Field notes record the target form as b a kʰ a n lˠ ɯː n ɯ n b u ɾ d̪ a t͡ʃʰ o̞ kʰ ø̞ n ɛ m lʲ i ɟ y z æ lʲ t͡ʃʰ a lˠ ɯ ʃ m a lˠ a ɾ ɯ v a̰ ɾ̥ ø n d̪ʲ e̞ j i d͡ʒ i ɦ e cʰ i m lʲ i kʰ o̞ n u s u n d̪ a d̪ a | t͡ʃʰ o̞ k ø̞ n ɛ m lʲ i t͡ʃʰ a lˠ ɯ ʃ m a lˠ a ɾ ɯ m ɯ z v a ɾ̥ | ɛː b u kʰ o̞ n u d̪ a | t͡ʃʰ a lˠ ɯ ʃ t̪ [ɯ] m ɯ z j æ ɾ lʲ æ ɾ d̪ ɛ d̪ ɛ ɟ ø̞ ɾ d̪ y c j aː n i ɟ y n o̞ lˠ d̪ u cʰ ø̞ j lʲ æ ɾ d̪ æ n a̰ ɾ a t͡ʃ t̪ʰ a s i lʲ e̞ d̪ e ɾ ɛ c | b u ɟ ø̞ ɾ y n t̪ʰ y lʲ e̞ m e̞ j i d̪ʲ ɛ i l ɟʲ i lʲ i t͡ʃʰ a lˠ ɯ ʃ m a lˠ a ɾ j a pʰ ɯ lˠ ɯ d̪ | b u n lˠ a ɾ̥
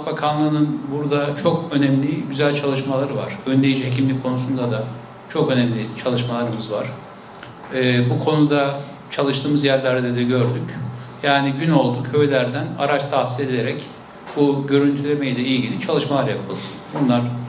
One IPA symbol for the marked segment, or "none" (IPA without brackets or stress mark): ɯː